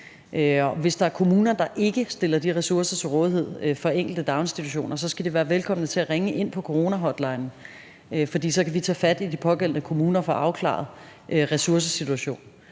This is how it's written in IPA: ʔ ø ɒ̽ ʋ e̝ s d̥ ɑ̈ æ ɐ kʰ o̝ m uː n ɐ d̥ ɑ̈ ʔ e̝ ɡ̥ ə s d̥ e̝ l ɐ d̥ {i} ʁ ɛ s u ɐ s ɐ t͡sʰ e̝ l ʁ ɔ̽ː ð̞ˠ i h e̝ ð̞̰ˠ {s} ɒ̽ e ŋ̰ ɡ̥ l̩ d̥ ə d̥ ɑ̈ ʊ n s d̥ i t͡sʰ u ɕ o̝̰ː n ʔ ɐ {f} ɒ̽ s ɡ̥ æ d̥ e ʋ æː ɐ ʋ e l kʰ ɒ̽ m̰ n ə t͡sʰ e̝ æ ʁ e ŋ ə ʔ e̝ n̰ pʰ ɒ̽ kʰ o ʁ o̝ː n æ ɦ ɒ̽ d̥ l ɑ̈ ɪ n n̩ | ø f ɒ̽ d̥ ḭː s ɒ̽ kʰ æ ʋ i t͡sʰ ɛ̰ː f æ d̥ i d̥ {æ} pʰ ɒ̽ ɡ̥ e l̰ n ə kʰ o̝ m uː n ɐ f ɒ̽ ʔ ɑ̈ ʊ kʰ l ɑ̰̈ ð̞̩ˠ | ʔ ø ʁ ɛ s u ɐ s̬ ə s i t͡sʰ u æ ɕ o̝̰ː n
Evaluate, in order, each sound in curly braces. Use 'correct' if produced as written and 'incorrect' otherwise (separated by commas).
correct, incorrect, incorrect, incorrect